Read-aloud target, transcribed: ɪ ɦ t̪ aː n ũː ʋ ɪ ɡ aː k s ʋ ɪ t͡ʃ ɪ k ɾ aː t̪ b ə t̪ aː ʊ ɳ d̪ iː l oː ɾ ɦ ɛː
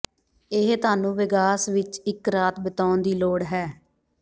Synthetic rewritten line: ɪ ɦ t̪ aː n ũː ʋ ɪ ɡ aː s ʋ ɪ t͡ʃ ɪ k ɾ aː t̪ b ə t̪ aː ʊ n d̪ iː l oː ɽ ɦ ɛː